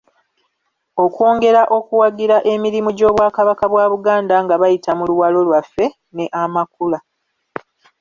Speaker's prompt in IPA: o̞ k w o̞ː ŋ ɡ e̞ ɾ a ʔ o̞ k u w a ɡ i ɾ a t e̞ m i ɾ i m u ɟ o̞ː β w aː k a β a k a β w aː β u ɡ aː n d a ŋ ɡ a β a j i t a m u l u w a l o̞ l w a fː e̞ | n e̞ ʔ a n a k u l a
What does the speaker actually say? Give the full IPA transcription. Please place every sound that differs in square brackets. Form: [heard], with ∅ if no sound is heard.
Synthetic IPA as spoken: o̞ k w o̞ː ŋ ɡ e̞ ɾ a ʔ o̞ k u w a ɡ i ɾ a [ʔ] e̞ m i ɾ i m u ɟ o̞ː β w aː k a β a k a β w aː β u ɡ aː n d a ŋ ɡ a β a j i t a m u l u w a l o̞ l w a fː e̞ | n e̞ ʔ a [m] a k u l a